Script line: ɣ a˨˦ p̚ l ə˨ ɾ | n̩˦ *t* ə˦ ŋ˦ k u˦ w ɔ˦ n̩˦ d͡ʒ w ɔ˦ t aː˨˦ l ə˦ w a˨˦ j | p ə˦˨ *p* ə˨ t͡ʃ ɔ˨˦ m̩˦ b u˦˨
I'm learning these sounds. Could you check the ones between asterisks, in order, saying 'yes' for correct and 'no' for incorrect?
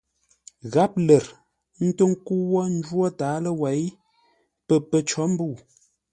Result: yes, yes

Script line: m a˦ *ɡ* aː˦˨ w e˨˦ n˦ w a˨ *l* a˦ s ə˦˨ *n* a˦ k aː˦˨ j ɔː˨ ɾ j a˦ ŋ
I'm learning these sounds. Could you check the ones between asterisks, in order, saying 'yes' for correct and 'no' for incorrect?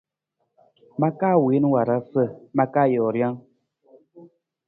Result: no, no, no

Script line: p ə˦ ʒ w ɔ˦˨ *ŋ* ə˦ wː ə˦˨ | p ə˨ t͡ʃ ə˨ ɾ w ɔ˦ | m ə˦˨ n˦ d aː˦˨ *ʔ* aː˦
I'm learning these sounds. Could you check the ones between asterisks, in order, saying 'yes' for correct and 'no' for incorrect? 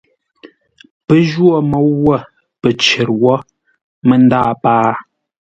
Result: no, no

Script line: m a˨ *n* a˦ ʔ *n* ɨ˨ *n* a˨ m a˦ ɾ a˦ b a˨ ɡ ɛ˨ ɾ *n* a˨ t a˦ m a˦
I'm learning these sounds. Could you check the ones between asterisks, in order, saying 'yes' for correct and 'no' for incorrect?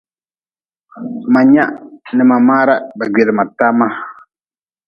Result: no, yes, no, no

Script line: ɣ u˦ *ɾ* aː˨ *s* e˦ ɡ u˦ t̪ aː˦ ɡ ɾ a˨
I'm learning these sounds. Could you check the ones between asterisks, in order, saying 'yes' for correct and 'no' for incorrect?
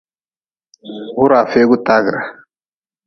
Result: yes, no

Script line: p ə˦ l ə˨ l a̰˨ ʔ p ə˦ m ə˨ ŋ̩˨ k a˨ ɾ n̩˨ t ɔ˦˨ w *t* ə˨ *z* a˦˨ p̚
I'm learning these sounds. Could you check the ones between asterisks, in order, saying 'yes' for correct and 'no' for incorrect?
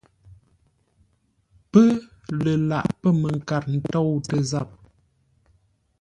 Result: yes, yes

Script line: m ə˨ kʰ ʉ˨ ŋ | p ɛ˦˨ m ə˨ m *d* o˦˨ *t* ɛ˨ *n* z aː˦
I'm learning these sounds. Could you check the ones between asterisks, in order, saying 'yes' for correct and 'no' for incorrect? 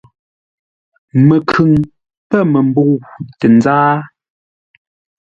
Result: no, yes, yes

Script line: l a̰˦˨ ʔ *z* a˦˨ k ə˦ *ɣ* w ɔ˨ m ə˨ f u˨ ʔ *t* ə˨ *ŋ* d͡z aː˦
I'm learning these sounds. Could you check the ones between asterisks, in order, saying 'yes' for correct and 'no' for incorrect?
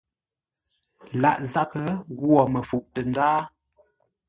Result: yes, yes, yes, no

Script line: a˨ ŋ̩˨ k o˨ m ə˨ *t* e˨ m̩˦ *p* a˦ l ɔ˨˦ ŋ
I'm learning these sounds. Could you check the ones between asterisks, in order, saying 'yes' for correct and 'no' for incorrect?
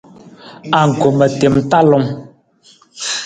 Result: yes, no

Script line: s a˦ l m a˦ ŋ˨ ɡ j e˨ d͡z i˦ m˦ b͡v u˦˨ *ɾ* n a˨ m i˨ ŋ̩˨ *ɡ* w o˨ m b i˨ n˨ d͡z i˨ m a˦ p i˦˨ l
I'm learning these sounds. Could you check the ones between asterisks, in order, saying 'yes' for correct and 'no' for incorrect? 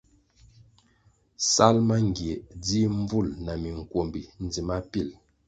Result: no, no

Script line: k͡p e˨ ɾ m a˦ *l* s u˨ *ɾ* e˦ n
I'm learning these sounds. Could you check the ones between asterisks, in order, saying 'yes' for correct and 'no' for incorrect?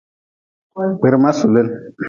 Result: no, no

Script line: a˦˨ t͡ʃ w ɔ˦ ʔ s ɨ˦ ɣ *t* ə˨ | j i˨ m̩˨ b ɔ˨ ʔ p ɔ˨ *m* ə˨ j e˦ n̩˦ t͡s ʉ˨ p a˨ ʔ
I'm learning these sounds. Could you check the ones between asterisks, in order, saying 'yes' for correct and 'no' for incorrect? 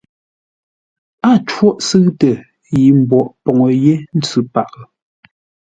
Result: yes, no

